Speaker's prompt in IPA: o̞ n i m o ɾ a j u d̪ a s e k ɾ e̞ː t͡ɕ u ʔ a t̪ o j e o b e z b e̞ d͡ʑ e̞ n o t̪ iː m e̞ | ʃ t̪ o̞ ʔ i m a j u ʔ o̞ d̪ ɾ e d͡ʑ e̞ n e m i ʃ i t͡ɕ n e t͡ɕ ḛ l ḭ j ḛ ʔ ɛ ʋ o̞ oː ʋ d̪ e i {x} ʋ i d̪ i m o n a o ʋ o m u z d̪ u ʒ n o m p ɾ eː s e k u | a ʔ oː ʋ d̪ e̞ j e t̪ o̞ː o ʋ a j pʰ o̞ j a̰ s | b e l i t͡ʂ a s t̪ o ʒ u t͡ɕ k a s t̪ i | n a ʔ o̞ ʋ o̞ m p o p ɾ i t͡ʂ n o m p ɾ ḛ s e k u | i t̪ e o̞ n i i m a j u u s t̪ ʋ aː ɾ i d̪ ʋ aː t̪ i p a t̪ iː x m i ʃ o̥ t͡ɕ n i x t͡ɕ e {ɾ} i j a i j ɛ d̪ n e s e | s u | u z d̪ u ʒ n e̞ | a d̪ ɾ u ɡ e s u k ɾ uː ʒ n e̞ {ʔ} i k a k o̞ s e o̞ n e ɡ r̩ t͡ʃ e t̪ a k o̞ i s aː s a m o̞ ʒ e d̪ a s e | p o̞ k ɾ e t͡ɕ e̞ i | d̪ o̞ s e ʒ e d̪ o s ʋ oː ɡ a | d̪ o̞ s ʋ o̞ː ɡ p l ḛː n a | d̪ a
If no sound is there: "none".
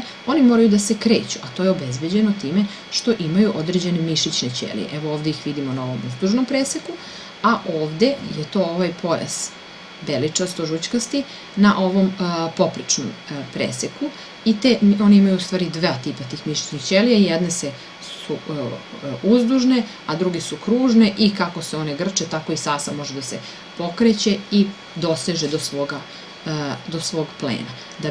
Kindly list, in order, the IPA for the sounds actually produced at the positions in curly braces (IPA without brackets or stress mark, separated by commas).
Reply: x, l, ʔ